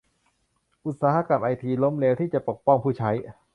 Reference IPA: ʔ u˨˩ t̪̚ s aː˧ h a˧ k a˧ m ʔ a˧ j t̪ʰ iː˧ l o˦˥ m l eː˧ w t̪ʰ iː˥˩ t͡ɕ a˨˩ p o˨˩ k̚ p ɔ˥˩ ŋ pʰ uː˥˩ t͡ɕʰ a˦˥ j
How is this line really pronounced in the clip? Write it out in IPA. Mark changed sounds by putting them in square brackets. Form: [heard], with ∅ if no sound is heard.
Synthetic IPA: ʔ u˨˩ t̪̚ s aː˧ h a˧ k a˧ m ʔ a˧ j t̪ʰ iː˧ l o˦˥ m l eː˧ w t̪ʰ iː˥˩ t͡ɕ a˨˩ p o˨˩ k̚ p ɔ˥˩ ŋ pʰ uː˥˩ t͡ɕʰ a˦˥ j